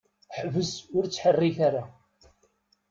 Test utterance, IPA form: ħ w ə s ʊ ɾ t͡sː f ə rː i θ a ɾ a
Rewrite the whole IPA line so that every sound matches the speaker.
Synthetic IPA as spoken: ħ v ə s ʊ ɾ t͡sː ħ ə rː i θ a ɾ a